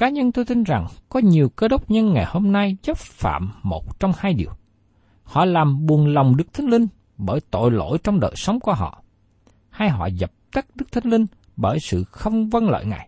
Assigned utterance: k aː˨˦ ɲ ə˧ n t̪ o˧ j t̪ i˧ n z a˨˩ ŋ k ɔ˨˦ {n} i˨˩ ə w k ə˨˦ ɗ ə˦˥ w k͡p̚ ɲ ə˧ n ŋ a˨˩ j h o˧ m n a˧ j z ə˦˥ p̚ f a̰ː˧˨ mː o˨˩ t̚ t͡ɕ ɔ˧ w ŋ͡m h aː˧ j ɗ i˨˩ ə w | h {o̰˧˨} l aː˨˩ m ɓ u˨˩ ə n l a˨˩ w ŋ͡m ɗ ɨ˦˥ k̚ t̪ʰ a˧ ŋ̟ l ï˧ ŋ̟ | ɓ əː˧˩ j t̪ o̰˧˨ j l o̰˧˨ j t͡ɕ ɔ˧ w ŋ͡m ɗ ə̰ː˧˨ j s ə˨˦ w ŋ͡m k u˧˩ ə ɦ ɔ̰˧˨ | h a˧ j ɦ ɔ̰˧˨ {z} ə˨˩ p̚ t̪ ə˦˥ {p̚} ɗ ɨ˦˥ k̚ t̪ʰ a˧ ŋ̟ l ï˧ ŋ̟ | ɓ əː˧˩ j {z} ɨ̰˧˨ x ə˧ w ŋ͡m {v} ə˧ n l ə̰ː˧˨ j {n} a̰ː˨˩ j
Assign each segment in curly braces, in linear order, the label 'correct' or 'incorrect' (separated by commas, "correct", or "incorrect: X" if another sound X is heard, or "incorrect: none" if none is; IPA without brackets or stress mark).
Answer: incorrect: ɲ, incorrect: ɔ̰˧˨, correct, incorrect: k̚, incorrect: s, correct, incorrect: ŋ